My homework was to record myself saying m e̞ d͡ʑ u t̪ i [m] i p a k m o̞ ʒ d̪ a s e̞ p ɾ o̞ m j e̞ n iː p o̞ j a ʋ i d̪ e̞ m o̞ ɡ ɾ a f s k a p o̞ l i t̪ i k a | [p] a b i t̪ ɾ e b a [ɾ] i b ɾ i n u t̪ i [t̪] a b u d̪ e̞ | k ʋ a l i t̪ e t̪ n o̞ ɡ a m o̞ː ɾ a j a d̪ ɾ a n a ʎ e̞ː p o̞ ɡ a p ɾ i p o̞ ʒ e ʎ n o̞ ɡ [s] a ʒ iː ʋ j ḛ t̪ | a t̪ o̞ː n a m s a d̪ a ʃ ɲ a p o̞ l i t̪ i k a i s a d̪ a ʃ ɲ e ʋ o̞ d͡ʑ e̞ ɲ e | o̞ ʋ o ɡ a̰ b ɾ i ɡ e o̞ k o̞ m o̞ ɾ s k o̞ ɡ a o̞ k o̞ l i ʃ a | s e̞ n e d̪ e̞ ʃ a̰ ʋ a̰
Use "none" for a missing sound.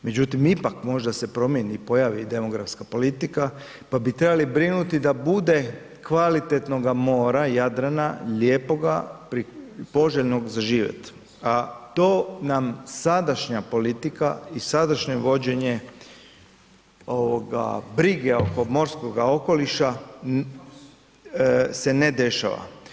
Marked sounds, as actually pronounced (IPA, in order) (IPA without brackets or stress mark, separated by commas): m, p, l, d̪, z